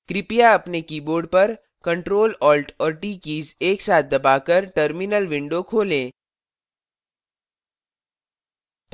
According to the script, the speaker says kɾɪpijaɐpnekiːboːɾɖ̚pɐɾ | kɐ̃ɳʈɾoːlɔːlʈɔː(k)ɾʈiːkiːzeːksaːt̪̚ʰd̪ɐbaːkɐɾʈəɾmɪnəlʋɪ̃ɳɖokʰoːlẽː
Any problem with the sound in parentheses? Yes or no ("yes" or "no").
yes